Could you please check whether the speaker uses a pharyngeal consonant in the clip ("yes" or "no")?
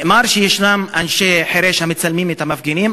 yes